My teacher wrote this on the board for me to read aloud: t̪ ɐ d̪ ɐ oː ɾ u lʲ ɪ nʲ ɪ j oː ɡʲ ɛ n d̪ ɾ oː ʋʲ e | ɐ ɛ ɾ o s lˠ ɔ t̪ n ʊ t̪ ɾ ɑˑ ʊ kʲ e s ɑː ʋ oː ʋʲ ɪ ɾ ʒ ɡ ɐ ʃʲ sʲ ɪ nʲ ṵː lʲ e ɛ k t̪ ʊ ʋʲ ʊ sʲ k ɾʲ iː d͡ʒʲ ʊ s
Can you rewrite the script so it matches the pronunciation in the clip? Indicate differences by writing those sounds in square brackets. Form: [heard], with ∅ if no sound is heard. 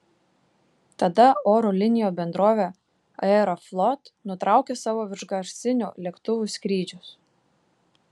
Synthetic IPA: t̪ ɐ d̪ ɐ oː ɾ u lʲ ɪ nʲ ɪ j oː [bʲ] ɛ n d̪ ɾ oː ʋʲ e | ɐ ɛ ɾ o [f] lˠ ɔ t̪ n ʊ t̪ ɾ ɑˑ ʊ kʲ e s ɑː ʋ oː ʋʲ ɪ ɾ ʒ ɡ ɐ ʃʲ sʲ ɪ nʲ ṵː lʲ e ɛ k t̪ ʊ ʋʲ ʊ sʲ k ɾʲ iː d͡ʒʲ ʊ s